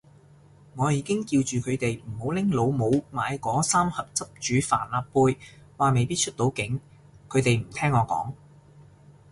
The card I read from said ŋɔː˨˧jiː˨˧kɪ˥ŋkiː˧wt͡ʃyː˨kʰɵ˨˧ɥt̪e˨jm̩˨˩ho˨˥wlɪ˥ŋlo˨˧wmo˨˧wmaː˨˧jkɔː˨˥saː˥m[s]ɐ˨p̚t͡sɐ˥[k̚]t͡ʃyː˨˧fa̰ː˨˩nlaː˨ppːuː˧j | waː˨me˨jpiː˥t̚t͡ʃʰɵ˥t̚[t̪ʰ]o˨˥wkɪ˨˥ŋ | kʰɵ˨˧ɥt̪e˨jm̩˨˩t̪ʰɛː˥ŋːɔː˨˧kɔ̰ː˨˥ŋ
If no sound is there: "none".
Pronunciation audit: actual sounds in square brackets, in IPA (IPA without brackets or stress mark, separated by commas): h, p̚, t̪